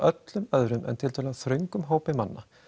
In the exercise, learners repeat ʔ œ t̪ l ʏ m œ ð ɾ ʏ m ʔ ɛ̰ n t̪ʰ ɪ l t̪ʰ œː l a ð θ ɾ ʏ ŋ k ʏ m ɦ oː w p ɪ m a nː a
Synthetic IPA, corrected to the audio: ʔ œ t̪ l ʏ m œ ð ɾ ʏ m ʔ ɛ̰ n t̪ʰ ɪ l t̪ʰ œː l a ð θ ɾ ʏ ŋ k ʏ m ɦ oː w p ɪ m a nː a